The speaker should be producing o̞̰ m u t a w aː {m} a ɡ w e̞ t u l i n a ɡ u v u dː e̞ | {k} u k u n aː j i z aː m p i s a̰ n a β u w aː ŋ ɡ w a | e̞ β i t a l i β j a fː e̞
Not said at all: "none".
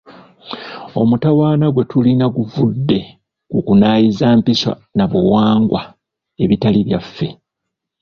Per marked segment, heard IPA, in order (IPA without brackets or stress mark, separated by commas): n, k